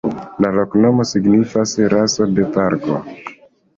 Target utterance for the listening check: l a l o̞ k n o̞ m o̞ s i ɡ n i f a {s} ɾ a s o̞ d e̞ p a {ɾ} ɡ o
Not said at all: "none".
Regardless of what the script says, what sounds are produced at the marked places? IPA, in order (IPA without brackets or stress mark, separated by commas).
s, ɾ